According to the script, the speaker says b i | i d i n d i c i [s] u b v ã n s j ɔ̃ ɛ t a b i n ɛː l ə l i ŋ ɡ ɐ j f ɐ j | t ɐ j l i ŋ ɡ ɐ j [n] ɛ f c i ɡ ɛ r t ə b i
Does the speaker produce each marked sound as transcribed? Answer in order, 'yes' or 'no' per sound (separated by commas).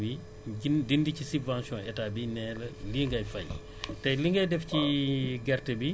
yes, no